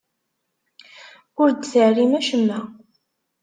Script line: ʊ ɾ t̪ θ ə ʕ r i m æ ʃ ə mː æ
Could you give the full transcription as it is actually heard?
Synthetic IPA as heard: ʊ ɾ d̪ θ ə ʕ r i m æ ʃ ə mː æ